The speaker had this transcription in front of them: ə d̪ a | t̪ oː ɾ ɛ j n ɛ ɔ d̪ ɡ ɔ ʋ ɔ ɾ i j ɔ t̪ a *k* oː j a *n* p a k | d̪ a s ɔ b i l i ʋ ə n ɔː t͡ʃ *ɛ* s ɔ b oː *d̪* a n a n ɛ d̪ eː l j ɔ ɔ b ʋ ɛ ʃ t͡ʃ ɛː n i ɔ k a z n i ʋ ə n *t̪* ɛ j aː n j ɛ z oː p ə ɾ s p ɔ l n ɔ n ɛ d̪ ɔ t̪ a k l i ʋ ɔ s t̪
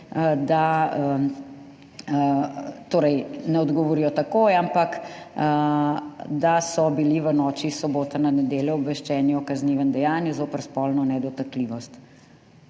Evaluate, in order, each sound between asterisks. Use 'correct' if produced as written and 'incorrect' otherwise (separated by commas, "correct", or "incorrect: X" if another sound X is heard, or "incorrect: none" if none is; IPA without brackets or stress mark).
correct, incorrect: m, incorrect: i, incorrect: t̪, incorrect: d̪